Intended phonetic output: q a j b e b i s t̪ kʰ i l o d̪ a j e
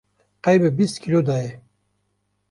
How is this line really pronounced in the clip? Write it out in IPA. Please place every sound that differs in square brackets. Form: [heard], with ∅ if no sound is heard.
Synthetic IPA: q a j b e b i s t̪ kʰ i l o d̪ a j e